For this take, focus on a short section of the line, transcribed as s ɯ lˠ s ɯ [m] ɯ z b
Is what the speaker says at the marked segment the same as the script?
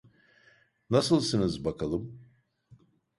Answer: no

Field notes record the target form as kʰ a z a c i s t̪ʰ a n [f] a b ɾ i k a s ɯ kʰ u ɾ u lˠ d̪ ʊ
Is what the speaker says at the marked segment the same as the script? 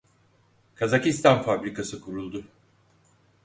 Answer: yes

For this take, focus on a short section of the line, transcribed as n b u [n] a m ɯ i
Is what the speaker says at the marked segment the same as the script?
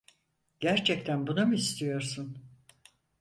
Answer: yes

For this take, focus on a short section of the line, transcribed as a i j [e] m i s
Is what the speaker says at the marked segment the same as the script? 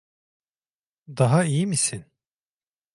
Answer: no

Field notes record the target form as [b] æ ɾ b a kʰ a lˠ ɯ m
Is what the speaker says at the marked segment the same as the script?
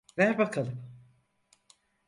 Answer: no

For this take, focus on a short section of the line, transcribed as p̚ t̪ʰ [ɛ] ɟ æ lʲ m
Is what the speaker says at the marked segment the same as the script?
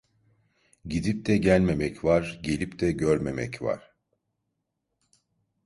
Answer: yes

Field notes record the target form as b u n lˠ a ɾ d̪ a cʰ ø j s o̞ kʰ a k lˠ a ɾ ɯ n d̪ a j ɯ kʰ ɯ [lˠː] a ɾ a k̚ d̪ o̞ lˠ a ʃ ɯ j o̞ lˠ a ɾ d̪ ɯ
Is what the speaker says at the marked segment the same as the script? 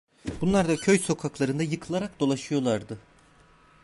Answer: no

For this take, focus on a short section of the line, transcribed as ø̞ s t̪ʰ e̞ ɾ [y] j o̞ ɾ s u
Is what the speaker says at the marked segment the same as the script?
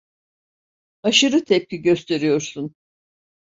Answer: no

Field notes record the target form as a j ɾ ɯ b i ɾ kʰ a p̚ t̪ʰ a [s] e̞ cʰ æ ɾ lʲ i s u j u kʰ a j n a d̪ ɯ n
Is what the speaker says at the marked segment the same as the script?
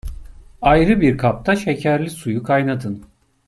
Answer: no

